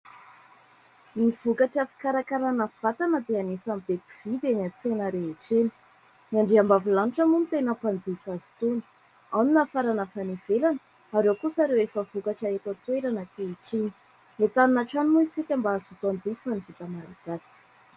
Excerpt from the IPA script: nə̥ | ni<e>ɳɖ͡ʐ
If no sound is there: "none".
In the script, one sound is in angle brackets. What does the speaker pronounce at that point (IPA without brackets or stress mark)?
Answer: a